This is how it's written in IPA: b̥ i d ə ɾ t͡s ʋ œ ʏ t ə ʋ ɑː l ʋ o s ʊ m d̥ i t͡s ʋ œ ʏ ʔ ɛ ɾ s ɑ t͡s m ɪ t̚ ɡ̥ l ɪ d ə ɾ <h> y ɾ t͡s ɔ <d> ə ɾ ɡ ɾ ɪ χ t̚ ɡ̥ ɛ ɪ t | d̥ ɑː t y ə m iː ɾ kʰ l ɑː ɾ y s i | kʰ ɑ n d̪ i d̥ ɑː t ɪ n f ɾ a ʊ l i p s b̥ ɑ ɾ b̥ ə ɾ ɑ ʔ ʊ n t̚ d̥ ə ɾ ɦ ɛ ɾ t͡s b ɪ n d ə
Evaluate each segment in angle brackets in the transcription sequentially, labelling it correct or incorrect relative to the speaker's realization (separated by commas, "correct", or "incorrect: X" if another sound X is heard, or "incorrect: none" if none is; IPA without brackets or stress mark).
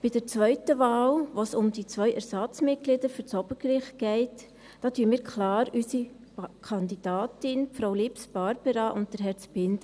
incorrect: f, incorrect: b